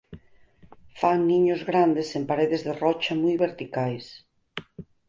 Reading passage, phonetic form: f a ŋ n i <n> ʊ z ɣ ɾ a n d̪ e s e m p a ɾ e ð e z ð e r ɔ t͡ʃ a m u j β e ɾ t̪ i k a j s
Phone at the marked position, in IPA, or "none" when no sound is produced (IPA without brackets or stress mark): ɲ